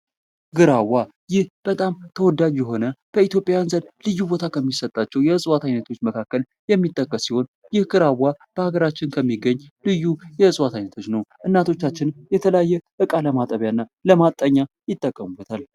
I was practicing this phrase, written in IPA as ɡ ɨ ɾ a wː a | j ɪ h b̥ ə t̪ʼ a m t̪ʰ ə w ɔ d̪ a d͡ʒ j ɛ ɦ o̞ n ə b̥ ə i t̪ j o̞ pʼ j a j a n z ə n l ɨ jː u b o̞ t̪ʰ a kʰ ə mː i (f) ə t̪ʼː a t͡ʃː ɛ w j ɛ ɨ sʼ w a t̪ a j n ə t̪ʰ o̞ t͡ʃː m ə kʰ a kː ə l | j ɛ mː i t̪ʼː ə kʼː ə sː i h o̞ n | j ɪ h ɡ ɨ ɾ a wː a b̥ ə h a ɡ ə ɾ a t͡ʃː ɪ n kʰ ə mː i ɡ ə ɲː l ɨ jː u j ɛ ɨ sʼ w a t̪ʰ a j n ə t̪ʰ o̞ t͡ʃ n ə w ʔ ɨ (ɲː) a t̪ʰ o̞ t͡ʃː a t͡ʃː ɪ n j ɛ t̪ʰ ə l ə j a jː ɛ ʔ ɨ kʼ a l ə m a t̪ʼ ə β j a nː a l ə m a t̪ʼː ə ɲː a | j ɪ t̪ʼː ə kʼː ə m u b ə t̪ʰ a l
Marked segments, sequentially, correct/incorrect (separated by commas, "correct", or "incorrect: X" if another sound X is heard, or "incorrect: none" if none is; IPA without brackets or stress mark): incorrect: s, incorrect: nː